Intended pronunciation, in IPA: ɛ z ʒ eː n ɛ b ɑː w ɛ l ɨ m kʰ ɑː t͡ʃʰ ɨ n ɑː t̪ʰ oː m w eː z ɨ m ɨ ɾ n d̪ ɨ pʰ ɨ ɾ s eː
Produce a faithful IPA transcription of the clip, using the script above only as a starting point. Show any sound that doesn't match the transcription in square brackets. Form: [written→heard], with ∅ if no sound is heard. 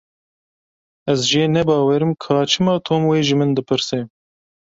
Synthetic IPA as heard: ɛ z ʒ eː n ɛ b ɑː w ɛ [l→ɾ] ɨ m kʰ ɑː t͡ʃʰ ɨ [n→m] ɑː t̪ʰ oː m w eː [z→ʒ] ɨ m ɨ [ɾ→∅] n d̪ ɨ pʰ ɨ ɾ s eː